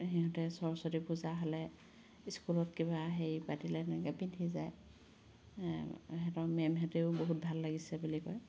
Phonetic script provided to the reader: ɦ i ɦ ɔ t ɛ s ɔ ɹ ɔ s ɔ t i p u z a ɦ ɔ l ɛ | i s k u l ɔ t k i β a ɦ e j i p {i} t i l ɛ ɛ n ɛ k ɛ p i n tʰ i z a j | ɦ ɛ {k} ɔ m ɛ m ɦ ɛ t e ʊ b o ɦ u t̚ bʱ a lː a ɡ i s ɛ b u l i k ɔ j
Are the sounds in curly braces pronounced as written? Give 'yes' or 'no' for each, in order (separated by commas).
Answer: no, no